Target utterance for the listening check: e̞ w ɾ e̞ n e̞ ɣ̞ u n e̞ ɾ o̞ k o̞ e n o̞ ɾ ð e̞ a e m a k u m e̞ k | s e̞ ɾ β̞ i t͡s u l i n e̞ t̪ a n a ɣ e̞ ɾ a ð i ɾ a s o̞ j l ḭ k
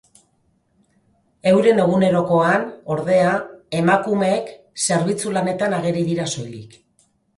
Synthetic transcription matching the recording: e̞ w ɾ e̞ n e̞ ɣ̞ u n e̞ ɾ o̞ k o̞ a n o̞ ɾ ð e̞ a e m a k u m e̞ k | s e̞ ɾ β̞ i t͡s u l a n e̞ t̪ a n a ɣ e̞ ɾ i ð i ɾ a s o̞ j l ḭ k